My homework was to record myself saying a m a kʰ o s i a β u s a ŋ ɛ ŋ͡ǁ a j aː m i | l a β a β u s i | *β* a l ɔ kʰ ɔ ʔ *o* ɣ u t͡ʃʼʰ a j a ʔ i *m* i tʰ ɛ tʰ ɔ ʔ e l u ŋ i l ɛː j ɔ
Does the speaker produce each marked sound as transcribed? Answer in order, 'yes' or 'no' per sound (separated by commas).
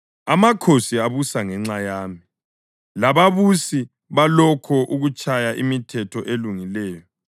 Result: yes, no, yes